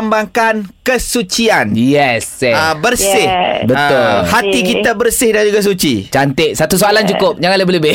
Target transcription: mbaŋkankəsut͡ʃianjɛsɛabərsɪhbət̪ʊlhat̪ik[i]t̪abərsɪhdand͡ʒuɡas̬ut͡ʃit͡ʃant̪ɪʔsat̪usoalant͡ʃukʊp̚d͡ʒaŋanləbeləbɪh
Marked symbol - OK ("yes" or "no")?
yes